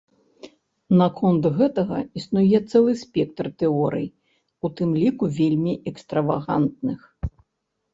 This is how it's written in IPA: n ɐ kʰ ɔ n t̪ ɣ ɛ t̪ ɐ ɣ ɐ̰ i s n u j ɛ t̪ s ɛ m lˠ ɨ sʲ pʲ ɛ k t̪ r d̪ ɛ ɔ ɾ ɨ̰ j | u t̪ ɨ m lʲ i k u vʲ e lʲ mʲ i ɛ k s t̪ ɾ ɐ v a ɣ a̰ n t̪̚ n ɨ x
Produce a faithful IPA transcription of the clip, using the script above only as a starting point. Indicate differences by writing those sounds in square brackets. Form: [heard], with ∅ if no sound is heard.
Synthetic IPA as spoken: n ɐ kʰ ɔ n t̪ ɣ ɛ t̪ ɐ ɣ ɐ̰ i s n u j ɛ t̪ s ɛ [∅] lˠ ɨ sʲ pʲ ɛ k t̪ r [t̪] ɛ ɔ ɾ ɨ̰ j | u t̪ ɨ m lʲ i k u vʲ e lʲ mʲ i ɛ k s t̪ ɾ ɐ v a ɣ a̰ n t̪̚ n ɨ x